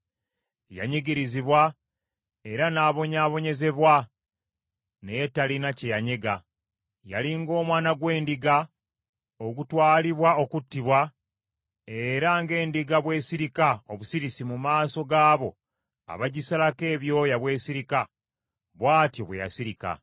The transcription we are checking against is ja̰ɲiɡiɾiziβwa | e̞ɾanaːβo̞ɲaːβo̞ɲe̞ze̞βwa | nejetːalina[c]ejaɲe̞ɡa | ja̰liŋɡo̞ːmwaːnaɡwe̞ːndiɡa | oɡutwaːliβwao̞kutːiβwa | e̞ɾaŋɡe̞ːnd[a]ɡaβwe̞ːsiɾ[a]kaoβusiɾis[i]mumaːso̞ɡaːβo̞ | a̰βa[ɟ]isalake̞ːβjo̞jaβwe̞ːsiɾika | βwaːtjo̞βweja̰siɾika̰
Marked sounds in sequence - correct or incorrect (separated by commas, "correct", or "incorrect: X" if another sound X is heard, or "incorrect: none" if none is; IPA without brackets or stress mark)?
correct, incorrect: i, incorrect: i, correct, correct